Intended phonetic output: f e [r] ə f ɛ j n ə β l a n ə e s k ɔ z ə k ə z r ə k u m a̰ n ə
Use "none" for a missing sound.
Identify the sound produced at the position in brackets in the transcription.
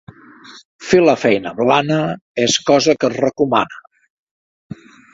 l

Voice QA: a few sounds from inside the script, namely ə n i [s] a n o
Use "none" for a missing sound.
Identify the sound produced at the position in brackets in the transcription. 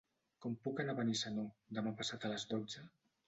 s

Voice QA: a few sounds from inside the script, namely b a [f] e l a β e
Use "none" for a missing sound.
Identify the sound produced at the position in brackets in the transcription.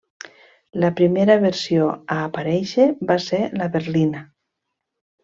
s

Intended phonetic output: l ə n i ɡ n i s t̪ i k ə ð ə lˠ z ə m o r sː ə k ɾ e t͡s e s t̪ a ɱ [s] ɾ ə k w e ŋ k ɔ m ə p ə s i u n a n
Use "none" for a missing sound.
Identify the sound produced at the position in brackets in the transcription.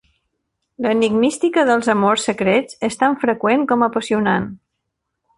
f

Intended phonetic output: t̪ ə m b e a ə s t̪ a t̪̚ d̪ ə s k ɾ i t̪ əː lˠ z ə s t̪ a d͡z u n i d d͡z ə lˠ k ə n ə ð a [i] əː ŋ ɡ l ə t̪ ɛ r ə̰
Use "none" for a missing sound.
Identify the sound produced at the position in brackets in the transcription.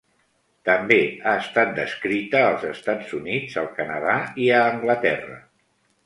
i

